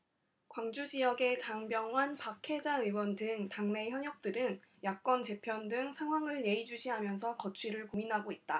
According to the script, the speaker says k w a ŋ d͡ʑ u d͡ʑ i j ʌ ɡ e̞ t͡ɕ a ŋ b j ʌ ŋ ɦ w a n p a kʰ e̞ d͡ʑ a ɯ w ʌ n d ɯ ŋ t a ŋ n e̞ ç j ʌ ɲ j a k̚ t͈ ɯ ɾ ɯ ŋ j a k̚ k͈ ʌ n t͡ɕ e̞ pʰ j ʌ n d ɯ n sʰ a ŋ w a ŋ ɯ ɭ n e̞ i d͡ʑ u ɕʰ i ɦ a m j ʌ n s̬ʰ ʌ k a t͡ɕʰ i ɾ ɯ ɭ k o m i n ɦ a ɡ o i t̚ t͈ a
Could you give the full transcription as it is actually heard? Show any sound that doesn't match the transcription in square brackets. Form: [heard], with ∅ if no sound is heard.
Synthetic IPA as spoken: k w a ŋ d͡ʑ u d͡ʑ i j ʌ ɡ e̞ t͡ɕ a ŋ b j ʌ ŋ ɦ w a n p a kʰ e̞ d͡ʑ a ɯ w ʌ n d ɯ ŋ t a ŋ n e̞ ç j ʌ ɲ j [ʌ] k̚ t͈ ɯ ɾ ɯ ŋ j a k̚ k͈ ʌ n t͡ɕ e̞ pʰ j ʌ n d ɯ [ŋ] sʰ a ŋ w a ŋ ɯ ɭ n e̞ i d͡ʑ u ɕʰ i ɦ a m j ʌ n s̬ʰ ʌ k [ʌ] t͡ɕʰ i ɾ ɯ ɭ k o m i n ɦ a ɡ o i t̚ t͈ a